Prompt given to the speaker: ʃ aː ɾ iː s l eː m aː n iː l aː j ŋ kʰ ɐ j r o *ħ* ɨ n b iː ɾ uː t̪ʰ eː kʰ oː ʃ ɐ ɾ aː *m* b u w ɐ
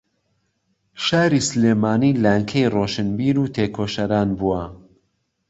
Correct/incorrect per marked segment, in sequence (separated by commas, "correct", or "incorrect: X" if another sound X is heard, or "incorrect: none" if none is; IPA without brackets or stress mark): incorrect: ʃ, incorrect: n